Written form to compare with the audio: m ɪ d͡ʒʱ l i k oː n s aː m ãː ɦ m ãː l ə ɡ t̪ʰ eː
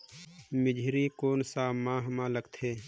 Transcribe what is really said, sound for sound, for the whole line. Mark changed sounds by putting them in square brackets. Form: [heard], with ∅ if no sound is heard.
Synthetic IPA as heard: m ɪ d͡ʒʱ [ɾ] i k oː n s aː m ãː ɦ m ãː l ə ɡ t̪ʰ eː